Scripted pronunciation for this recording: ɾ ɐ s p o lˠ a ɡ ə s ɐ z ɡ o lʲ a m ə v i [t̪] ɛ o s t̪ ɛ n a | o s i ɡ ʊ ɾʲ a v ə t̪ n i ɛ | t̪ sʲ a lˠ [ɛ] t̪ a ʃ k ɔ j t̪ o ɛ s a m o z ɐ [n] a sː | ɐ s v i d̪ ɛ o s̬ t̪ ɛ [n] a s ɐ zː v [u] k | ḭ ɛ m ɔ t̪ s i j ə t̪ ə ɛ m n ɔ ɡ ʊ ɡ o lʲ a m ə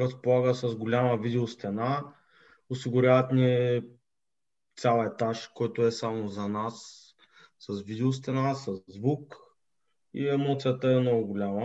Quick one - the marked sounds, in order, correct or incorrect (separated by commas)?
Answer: incorrect, correct, correct, correct, correct